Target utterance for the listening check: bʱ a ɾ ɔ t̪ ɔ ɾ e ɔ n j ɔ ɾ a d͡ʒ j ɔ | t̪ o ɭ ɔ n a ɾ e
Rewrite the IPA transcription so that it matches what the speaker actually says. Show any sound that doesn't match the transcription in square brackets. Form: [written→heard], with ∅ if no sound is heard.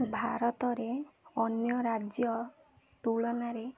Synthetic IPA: bʱ a ɾ ɔ t̪ ɔ ɾ e ɔ n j ɔ ɾ a d͡ʒ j ɔ | t̪ [o→u] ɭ ɔ n a ɾ e